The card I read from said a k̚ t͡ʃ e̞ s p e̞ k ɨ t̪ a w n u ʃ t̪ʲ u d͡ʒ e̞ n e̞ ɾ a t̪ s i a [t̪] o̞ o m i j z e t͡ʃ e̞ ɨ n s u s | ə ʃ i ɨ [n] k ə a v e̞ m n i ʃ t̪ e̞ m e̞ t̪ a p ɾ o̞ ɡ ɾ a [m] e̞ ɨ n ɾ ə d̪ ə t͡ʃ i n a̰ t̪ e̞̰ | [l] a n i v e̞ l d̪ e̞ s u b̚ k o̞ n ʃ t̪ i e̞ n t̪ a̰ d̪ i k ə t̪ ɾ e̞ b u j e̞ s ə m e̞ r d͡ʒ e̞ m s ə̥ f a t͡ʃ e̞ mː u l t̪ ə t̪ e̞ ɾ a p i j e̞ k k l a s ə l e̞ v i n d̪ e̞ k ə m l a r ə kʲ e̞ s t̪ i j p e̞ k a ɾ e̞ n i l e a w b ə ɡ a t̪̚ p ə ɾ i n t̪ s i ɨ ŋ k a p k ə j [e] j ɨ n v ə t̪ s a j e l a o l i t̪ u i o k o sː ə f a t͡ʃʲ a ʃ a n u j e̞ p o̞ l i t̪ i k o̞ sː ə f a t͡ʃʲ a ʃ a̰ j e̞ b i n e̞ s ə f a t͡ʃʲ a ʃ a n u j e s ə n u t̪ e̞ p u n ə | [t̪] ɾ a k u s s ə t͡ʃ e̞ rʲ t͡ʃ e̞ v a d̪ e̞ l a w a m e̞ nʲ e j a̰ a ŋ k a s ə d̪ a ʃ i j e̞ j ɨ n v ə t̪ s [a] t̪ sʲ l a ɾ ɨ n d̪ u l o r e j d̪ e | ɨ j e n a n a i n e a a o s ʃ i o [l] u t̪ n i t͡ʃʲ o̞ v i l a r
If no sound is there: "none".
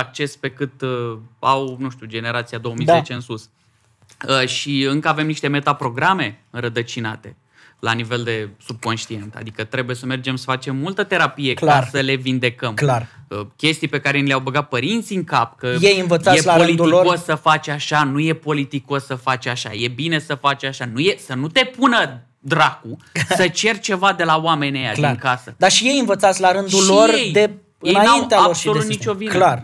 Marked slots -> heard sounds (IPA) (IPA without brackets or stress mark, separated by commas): d̪, ŋ, m, l, e, d̪, a, l